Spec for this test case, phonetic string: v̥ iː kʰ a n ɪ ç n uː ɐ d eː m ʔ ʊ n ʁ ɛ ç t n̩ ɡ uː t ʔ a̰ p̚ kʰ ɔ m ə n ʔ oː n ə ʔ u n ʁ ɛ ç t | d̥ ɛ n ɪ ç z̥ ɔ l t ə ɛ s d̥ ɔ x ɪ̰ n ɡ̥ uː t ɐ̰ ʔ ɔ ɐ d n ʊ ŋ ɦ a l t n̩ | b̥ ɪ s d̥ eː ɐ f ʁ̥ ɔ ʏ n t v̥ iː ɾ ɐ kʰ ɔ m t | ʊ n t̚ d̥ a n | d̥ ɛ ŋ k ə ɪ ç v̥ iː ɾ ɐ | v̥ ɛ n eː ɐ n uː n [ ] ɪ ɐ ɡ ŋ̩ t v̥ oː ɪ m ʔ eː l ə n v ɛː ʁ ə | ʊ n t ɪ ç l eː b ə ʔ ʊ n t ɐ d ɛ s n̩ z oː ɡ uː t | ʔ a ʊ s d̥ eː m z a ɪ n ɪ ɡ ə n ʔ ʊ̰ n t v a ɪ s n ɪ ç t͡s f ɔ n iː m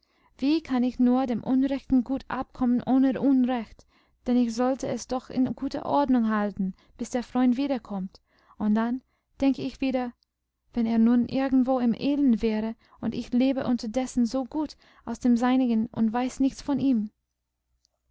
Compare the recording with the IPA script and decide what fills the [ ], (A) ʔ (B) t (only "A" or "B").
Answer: A